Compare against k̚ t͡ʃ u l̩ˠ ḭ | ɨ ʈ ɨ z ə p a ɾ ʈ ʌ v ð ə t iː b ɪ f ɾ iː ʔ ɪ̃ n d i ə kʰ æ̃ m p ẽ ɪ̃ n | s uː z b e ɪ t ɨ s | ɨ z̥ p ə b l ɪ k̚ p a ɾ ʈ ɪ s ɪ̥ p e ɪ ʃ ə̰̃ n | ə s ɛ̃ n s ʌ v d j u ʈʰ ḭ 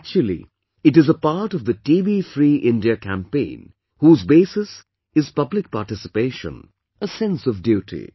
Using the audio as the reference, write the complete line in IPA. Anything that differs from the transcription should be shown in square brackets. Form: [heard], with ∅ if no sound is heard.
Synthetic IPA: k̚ t͡ʃ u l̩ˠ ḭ | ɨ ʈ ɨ z ə p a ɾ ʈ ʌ v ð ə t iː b [i] f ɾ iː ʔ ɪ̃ n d i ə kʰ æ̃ m p ẽ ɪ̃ n | [h] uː z b e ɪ [s] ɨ s | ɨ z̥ p [ʌ] b l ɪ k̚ p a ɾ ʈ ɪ s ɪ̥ p e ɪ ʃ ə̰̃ n | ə s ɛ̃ n s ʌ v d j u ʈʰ ḭ